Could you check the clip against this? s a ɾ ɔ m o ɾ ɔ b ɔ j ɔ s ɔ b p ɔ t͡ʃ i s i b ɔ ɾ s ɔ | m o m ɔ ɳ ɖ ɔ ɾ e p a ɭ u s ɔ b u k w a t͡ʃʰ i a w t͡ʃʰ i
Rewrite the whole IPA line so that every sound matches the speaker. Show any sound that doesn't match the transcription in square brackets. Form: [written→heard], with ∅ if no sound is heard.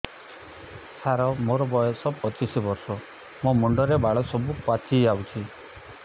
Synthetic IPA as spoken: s a ɾ ɔ m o ɾ ɔ b ɔ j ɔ s ɔ b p ɔ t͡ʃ i s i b ɔ ɾ s ɔ | m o m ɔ ɳ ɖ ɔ ɾ e [p→b] a ɭ [u→ɔ] s ɔ b u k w a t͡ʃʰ i a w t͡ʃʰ i

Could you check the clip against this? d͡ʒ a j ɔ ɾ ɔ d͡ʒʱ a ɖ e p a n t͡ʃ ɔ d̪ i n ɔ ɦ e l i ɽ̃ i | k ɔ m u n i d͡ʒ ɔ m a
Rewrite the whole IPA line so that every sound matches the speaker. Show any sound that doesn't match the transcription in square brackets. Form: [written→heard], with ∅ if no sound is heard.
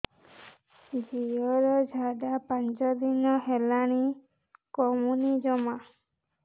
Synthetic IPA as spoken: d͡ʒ [a→i] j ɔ ɾ ɔ d͡ʒʱ a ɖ [e→a] p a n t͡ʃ ɔ d̪ i n ɔ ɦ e l [i→a] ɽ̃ i | k ɔ m u n i d͡ʒ ɔ m a

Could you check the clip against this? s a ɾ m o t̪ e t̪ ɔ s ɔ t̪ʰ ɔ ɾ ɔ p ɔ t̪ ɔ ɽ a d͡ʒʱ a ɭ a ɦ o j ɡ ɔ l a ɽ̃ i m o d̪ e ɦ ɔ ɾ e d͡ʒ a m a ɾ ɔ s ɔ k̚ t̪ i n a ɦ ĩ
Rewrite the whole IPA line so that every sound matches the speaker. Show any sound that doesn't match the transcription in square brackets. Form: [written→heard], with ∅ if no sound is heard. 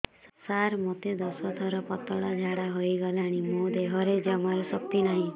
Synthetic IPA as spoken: s a ɾ m o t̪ e [t̪→d̪] ɔ s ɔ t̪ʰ ɔ ɾ ɔ p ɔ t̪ ɔ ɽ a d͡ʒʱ a [ɭ→ɽ] a ɦ o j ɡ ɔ l a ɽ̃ i m o d̪ e ɦ ɔ ɾ e d͡ʒ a m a ɾ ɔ s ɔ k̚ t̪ i n a ɦ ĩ

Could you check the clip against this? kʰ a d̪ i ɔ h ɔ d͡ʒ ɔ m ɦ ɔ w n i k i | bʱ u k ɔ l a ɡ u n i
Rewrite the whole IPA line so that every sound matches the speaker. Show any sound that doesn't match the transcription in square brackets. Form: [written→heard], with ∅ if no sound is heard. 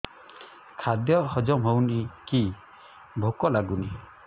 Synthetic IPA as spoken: kʰ a d̪ [i→j] ɔ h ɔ d͡ʒ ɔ m ɦ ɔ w n i k i | bʱ [u→o] k ɔ l a ɡ u n i

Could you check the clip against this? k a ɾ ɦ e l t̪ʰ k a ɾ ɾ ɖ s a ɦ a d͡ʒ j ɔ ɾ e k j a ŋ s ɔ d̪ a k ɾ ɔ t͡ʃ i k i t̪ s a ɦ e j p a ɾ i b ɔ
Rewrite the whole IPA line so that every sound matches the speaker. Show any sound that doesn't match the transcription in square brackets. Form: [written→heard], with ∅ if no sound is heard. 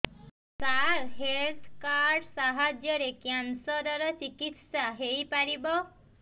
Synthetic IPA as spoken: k a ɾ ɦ e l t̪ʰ k a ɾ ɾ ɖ s a ɦ a d͡ʒ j ɔ ɾ e k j a [ŋ→n] s ɔ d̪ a [k→∅] ɾ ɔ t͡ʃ i k i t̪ s a ɦ e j p a ɾ i b ɔ

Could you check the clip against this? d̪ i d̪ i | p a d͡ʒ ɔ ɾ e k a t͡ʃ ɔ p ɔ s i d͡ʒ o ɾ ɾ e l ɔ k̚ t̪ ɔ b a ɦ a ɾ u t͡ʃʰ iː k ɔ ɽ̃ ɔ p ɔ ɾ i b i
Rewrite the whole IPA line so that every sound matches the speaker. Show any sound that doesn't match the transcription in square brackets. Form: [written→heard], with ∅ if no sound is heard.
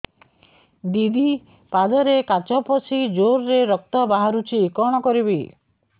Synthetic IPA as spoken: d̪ i d̪ i | p a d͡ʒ ɔ ɾ e k a t͡ʃ ɔ p ɔ s i d͡ʒ o ɾ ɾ e [l→ɾ] ɔ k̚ t̪ ɔ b a ɦ a ɾ u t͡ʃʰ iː k ɔ ɽ̃ ɔ [p→k] ɔ ɾ i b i

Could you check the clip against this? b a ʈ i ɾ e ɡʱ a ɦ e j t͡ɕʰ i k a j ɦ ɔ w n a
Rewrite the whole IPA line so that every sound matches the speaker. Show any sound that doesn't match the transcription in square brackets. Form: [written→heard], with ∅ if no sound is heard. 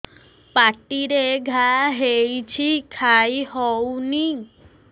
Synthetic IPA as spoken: [b→p] a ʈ i ɾ e ɡʱ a ɦ e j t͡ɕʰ i [k→kʰ] a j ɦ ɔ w n [a→i]

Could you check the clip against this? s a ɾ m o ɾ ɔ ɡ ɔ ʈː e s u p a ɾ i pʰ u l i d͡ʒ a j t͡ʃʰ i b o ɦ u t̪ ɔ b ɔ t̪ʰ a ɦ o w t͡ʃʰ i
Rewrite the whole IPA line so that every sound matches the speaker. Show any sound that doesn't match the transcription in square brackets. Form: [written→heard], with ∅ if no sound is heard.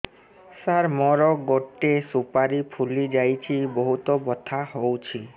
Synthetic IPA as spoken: s a ɾ m [o→ɔ] ɾ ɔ ɡ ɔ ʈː e s u p a ɾ i pʰ u l i d͡ʒ a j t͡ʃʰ i b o ɦ u t̪ ɔ b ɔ t̪ʰ a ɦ o w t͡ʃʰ i

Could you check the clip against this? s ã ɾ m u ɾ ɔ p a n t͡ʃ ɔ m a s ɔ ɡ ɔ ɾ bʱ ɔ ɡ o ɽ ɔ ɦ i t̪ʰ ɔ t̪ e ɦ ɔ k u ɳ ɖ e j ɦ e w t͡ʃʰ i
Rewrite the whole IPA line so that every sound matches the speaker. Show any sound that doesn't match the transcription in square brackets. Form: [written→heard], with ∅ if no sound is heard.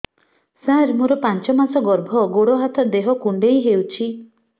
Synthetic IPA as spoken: s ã ɾ m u ɾ ɔ p a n t͡ʃ ɔ m a s ɔ ɡ ɔ ɾ bʱ ɔ ɡ o ɽ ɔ ɦ [i→a] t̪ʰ ɔ [t̪→d̪] e ɦ ɔ k u ɳ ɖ e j ɦ e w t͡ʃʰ i

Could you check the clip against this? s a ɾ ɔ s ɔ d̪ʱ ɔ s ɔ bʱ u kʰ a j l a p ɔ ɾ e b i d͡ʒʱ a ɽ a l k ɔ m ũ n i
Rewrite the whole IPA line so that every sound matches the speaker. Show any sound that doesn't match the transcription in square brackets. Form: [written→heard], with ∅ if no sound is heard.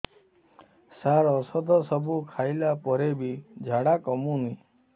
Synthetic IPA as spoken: s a ɾ ɔ s ɔ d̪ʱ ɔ s ɔ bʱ u kʰ a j l a p ɔ ɾ e b i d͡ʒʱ a ɽ a [l→∅] k ɔ m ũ n i

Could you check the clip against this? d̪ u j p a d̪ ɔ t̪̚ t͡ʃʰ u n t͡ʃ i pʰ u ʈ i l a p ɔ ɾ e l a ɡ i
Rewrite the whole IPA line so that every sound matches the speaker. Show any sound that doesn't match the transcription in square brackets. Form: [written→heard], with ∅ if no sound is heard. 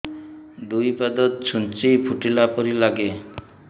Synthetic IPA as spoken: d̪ u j p a d̪ ɔ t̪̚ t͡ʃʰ u n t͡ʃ i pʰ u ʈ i l a p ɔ ɾ [e→i] l a ɡ [i→e]

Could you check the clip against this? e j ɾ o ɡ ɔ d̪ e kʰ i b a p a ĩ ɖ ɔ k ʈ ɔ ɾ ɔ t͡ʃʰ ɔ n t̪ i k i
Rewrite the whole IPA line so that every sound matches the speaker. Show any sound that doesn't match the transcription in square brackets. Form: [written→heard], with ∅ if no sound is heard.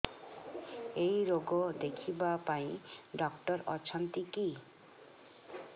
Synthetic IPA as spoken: e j ɾ o ɡ ɔ d̪ e kʰ i b a p a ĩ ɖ ɔ k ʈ ɔ ɾ ɔ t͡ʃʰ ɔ n t̪ i k i

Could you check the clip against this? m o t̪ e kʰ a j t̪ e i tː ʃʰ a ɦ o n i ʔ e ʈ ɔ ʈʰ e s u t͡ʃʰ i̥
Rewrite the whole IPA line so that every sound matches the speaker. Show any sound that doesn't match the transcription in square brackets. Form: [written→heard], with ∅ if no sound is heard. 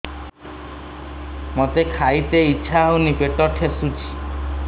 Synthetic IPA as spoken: m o t̪ e kʰ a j t̪ e i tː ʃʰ a ɦ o n i [ʔ→p] e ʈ ɔ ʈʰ e s u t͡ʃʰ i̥

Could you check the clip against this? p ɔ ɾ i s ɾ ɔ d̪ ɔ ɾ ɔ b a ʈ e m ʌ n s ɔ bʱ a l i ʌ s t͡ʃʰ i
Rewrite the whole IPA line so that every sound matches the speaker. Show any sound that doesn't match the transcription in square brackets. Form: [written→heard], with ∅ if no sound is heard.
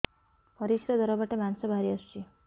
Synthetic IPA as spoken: p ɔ ɾ i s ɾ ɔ d̪ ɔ ɾ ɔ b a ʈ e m [ʌ→a] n s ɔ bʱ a [l→ɾ] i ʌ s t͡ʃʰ i

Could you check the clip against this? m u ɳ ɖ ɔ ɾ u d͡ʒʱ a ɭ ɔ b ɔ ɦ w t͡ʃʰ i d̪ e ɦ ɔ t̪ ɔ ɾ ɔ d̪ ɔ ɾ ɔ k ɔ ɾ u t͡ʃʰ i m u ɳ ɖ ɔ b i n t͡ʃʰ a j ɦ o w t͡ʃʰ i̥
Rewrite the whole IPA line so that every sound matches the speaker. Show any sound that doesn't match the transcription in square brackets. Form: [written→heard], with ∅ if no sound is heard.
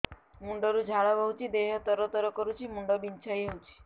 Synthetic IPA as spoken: m u ɳ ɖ ɔ ɾ u d͡ʒʱ a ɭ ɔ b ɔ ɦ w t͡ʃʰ i d̪ e ɦ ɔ t̪ ɔ ɾ ɔ [d̪→t̪] ɔ ɾ ɔ k ɔ ɾ u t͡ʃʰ i m u ɳ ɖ ɔ b i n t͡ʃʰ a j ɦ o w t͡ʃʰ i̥

